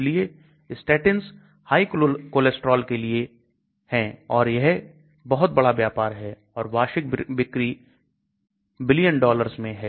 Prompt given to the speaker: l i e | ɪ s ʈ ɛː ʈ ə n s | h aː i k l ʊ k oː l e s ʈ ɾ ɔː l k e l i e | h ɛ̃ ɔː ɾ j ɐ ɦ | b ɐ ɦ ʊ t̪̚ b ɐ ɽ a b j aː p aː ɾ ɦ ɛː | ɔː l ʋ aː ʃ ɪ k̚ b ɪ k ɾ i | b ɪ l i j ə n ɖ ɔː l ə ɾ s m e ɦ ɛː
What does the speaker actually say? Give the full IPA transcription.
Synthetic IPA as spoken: l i e | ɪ s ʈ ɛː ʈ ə n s | h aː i k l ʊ k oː l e s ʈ ɾ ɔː l k e l i e | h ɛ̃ ɔː ɾ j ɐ ɦ | b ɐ ɦ ʊ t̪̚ b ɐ ɽ a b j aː p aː ɾ ɦ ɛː | ɔː ɾ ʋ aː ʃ ɪ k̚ b ɪ k ɾ i | b ɪ l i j ə n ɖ ɔː l ə ɾ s m ẽ ɦ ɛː

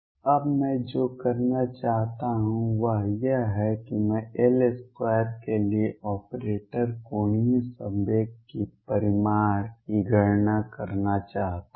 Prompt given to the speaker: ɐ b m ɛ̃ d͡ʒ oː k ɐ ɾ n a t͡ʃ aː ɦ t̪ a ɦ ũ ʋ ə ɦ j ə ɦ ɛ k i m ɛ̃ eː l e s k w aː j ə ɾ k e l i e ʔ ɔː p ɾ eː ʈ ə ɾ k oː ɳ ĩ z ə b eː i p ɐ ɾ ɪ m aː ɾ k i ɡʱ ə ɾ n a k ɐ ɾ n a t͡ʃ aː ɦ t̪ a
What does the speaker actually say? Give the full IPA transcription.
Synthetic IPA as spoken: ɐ b m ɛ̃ d͡ʒ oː k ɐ ɾ n a t͡ʃ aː ɦ t̪ a ɦ ũ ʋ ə ɦ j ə ɦ ɛ k i m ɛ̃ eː l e s k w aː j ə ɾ k e l i e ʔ ɔː p ɾ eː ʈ ə ɾ k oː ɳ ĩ s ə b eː i p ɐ ɾ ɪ m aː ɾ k i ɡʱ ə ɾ n a k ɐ ɾ n a t͡ʃ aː ɦ t̪ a

